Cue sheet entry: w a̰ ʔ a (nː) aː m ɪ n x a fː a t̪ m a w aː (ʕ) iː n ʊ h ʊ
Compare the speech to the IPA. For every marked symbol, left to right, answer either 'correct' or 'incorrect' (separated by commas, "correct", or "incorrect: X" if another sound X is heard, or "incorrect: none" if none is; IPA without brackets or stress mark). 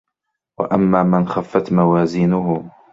incorrect: mː, incorrect: z